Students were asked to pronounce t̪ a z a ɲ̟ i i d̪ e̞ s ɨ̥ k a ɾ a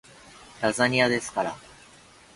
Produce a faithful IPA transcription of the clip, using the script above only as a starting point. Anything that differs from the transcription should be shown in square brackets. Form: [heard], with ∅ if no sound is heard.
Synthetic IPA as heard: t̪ a z a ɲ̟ i [a] d̪ e̞ s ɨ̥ k a ɾ a